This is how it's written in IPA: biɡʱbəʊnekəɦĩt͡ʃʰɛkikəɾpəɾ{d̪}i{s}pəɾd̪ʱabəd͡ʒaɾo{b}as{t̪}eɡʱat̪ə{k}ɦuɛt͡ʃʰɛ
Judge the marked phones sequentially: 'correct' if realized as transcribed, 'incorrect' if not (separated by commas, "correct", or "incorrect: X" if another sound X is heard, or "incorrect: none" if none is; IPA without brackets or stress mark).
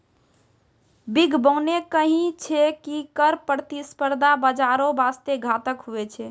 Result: incorrect: t̪, correct, correct, correct, correct